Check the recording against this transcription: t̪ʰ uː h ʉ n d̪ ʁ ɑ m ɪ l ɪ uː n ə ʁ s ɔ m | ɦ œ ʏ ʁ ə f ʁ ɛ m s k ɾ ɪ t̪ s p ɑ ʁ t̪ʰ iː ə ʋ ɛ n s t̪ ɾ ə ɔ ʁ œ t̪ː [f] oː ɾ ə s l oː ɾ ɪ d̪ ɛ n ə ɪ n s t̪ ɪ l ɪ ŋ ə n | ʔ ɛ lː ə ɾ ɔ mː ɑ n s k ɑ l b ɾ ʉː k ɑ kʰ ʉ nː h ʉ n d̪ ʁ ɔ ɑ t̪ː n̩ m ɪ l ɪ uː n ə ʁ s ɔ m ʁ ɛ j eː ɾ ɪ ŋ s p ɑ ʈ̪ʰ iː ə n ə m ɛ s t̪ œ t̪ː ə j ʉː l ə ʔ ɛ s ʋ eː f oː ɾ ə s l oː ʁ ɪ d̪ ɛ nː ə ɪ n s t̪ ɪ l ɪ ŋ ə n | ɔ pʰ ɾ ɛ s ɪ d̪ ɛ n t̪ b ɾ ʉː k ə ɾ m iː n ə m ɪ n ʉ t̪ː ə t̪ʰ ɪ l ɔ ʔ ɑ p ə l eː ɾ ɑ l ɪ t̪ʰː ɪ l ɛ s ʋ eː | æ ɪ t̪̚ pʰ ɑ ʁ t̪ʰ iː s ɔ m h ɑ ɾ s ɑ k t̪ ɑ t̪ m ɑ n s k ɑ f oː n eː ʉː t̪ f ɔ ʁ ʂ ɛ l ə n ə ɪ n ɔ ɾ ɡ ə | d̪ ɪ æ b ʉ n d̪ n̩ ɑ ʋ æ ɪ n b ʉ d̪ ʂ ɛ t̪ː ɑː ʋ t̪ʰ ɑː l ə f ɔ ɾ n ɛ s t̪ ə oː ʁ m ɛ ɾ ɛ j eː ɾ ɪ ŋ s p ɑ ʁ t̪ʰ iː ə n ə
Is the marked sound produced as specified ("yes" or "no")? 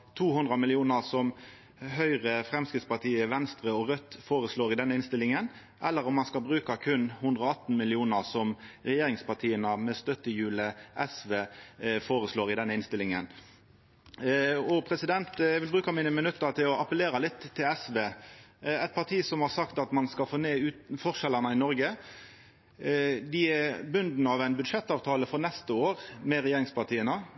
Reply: yes